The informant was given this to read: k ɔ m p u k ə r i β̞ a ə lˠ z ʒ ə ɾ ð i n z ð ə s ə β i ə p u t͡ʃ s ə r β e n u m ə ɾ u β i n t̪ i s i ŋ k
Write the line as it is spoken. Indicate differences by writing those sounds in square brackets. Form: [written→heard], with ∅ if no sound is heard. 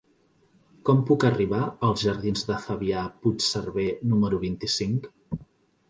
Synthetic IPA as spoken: k ɔ m p u k ə r i β̞ a ə lˠ z ʒ ə ɾ ð i n z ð ə [s→f] ə β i [ə→a] p u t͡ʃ s ə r β e n u m ə ɾ u β i n t̪ i s i ŋ k